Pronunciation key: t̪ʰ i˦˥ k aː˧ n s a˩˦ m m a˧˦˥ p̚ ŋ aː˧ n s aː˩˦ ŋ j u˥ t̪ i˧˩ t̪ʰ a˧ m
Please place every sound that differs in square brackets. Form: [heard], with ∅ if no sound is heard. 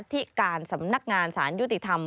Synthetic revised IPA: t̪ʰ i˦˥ k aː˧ n s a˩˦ m [n] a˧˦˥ [k̚] ŋ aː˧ n s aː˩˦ [n] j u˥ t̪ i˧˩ t̪ʰ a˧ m